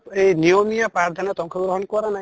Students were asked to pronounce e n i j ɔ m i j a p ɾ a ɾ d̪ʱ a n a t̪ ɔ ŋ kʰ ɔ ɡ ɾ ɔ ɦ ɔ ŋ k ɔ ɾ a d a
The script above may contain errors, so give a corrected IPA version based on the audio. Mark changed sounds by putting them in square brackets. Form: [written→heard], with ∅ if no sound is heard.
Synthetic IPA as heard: e n i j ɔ m i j a p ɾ a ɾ d̪ʱ a n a t̪ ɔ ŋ kʰ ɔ ɡ ɾ ɔ ɦ ɔ [ŋ→n] k ɔ ɾ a [d→n] a